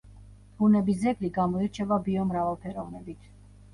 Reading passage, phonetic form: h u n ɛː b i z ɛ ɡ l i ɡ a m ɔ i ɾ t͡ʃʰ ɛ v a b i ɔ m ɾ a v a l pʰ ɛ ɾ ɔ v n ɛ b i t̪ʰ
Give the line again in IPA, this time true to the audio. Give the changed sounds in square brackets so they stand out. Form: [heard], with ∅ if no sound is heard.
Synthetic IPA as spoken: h u n [ɛ] b i z ɛ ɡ l i ɡ a m ɔ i ɾ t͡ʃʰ ɛ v a b i ɔ m ɾ a v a l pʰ ɛ ɾ ɔ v n ɛ b i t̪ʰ